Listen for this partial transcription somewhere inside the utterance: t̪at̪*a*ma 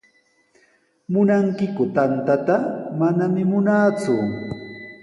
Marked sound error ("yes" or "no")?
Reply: no